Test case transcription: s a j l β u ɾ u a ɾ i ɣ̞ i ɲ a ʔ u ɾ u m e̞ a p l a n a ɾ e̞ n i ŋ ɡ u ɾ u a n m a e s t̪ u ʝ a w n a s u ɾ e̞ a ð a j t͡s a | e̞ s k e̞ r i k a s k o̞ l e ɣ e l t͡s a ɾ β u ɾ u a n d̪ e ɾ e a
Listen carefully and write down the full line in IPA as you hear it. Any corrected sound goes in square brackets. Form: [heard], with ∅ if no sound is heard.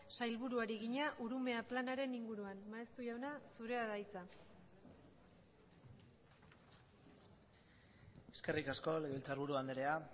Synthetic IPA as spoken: s a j l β u ɾ u a ɾ i ɣ̞ i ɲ a ʔ u ɾ u m e̞ a p l a n a ɾ e̞ n i ŋ ɡ u ɾ u a n m a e s t̪ u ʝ a w n a s u ɾ e̞ a ð a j t͡s a | e̞ s k e̞ r i k a s k o̞ l e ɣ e l t͡s a ɾ β u ɾ u a n d̪ e ɾ e a